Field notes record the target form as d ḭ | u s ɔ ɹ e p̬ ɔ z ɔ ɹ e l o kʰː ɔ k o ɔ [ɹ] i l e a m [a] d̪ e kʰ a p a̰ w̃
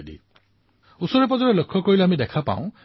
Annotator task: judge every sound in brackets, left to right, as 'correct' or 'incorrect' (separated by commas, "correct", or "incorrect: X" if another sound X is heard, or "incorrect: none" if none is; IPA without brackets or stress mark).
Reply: correct, incorrect: i